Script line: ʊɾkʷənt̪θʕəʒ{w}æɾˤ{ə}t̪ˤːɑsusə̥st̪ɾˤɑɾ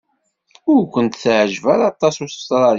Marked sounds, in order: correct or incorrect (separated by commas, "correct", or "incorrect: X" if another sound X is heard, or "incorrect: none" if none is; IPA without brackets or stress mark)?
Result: incorrect: v, incorrect: ɑ